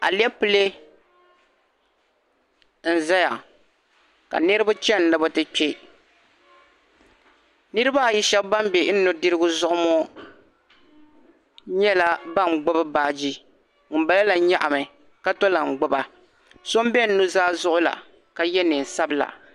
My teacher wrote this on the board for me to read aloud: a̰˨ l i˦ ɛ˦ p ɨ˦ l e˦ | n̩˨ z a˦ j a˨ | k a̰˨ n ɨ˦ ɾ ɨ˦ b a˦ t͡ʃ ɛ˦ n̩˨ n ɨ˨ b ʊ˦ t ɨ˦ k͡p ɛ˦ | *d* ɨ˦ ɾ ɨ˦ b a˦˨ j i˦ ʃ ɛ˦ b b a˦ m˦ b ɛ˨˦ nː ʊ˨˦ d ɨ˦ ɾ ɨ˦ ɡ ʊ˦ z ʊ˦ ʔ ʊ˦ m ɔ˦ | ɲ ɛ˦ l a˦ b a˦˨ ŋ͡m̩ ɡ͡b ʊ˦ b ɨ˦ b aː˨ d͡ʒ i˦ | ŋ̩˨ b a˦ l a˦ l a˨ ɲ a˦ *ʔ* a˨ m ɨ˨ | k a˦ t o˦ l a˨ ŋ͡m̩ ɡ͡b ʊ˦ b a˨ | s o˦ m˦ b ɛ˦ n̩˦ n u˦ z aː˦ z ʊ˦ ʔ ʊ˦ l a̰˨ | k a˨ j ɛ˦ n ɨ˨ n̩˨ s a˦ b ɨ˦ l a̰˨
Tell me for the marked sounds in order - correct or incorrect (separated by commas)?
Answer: incorrect, correct